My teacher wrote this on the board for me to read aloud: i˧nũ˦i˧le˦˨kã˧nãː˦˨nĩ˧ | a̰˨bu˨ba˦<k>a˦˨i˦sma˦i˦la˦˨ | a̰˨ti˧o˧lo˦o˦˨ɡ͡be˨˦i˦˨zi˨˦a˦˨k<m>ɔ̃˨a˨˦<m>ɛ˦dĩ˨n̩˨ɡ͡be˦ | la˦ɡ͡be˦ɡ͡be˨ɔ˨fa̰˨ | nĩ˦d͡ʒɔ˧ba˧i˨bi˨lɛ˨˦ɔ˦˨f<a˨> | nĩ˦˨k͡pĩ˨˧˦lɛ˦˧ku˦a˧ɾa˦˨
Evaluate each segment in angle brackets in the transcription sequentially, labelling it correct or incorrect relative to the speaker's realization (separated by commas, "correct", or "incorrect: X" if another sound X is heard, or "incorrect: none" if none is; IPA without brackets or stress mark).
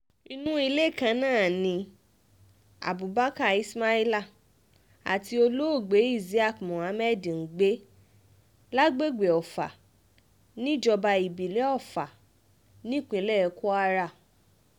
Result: correct, correct, correct, correct